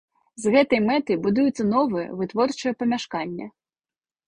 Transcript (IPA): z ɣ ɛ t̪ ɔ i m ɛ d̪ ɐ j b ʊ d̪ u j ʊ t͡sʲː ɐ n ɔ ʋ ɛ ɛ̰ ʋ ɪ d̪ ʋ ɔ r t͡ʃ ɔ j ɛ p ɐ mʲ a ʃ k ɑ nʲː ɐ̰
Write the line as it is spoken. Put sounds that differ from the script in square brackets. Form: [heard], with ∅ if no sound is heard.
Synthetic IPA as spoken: z ɣ ɛ t̪ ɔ [j] m ɛ [t̪] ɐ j b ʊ d̪ u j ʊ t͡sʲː ɐ n ɔ ʋ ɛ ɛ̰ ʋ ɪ [t̪] ʋ ɔ r t͡ʃ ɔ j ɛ p ɐ mʲ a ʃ k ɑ nʲː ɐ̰

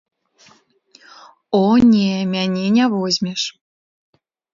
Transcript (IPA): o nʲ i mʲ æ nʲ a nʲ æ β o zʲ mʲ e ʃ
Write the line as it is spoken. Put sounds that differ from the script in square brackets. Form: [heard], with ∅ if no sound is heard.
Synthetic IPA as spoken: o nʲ [e] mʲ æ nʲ [e] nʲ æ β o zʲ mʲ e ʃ

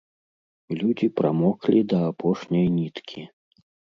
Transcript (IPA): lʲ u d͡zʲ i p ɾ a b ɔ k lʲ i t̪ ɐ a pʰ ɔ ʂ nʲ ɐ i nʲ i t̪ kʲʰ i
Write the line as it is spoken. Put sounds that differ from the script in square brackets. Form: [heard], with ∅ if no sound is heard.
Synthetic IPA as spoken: lʲ u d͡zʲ i p ɾ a [m] ɔ k lʲ i [d̪] ɐ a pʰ ɔ ʂ nʲ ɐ [j] nʲ i t̪ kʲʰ i

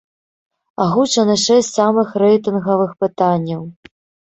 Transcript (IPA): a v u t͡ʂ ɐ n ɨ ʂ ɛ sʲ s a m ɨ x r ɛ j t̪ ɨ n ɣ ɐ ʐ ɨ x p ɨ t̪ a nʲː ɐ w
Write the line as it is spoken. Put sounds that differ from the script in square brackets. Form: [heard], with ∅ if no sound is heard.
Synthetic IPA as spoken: a [ɣ] u t͡ʂ ɐ n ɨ ʂ ɛ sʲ s a m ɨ x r ɛ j t̪ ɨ n ɣ ɐ [v] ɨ x p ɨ t̪ a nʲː ɐ w

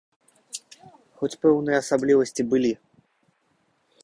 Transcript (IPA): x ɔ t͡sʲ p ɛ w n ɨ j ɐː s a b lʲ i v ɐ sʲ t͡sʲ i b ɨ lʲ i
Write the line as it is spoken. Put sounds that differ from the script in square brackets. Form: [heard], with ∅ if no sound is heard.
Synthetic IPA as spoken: x ɔ t͡sʲ p ɛ w n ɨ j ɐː s a b lʲ i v ɐ sʲ t͡sʲ i b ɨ lʲ i

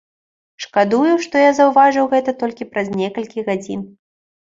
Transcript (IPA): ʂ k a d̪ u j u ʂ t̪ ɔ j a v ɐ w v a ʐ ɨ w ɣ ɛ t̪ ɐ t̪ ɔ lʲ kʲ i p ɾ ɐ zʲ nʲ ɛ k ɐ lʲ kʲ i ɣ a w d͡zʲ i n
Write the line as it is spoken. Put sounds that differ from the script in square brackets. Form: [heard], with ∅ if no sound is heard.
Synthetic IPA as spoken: ʂ k a d̪ u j u ʂ t̪ ɔ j a [z] ɐ w v a ʐ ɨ w ɣ ɛ t̪ ɐ t̪ ɔ lʲ kʲ i p ɾ ɐ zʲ nʲ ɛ k ɐ lʲ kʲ i ɣ a [∅] d͡zʲ i n

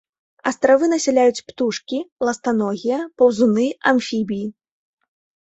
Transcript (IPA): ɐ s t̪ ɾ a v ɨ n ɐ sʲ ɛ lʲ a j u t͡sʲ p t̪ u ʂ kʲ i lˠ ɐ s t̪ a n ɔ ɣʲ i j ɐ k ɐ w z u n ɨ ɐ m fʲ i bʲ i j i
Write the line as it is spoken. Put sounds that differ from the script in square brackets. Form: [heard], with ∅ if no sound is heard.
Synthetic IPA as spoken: ɐ s t̪ ɾ a v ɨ n ɐ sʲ ɛ lʲ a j u t͡sʲ p t̪ u ʂ kʲ i lˠ ɐ s t̪ a n ɔ ɣʲ i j ɐ [p] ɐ w z u n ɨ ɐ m fʲ i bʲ i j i

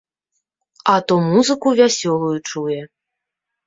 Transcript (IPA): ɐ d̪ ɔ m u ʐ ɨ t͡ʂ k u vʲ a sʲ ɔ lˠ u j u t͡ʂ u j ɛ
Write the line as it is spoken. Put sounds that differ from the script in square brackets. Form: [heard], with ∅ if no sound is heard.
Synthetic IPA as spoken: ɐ [t̪] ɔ m u [z] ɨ [∅] k u vʲ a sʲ ɔ lˠ u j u t͡ʂ u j ɛ

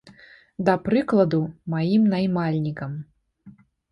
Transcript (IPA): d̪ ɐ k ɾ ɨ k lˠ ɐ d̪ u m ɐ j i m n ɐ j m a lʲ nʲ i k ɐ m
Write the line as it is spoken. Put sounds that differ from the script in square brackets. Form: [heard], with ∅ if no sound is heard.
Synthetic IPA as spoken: d̪ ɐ [p] ɾ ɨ k lˠ ɐ d̪ u m [a] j i m n [a] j m a lʲ nʲ i k ɐ m

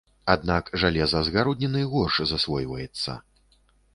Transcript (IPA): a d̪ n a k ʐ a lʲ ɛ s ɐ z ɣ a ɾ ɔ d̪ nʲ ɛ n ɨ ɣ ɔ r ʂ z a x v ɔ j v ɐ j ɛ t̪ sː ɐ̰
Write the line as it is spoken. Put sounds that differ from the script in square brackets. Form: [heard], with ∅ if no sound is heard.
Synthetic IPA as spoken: a d̪ n a k ʐ a lʲ ɛ [z] ɐ z ɣ a ɾ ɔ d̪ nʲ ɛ n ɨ ɣ ɔ r ʂ z a [s] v ɔ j v ɐ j ɛ t̪ sː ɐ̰

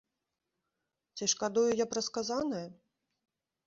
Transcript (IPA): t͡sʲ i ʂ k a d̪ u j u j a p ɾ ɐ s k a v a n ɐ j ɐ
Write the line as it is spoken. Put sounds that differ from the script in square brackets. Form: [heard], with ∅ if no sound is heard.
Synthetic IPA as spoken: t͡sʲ i ʂ k a d̪ u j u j a p ɾ ɐ s k a [z] a n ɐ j ɐ

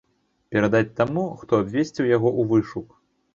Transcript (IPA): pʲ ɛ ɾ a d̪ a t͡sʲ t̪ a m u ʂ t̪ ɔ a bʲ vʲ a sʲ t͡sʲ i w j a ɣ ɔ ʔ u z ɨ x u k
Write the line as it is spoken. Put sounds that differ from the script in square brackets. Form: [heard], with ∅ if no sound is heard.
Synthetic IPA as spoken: pʲ ɛ ɾ a d̪ a t͡sʲ t̪ a m u [x] t̪ ɔ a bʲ vʲ [e] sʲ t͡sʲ i w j a ɣ ɔ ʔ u [v] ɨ [ʂ] u k

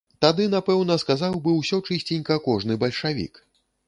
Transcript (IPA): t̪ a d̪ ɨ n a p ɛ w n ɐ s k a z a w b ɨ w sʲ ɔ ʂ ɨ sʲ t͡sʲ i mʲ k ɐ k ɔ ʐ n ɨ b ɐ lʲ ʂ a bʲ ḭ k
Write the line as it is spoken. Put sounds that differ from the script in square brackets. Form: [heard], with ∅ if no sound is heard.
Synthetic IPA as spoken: t̪ a d̪ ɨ n a p ɛ w n ɐ s k a z a w b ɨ w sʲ ɔ [t͡ʂ] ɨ sʲ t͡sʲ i [nʲ] k ɐ k ɔ ʐ n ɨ b ɐ lʲ ʂ a [vʲ] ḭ k

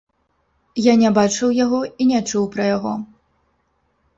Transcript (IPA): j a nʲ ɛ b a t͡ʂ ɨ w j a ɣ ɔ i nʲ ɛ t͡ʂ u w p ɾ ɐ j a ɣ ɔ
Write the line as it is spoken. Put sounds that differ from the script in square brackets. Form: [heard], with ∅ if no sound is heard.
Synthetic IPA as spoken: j a nʲ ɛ b a t͡ʂ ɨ w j a ɣ ɔ i nʲ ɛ t͡ʂ u w p ɾ ɐ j a ɣ ɔ

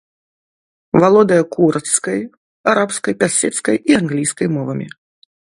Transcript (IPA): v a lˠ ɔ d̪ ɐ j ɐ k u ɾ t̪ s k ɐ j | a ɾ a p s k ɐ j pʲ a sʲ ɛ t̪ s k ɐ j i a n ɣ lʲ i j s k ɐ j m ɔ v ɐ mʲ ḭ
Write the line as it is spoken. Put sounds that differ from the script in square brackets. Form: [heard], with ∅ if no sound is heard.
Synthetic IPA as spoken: v a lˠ ɔ d̪ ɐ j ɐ k u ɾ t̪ s k ɐ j | a ɾ a p s k ɐ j pʲ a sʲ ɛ t̪ s k ɐ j i a n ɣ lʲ i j s k ɐ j m ɔ v ɐ mʲ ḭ

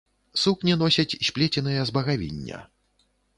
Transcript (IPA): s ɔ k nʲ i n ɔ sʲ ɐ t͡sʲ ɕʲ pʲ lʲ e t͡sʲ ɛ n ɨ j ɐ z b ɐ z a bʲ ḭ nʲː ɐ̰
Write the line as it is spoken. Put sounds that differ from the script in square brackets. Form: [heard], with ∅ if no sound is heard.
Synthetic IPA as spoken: s [u] k nʲ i n ɔ sʲ ɐ t͡sʲ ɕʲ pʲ lʲ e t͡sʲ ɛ n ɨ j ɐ z b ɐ [ɣ] a [vʲ] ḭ nʲː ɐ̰

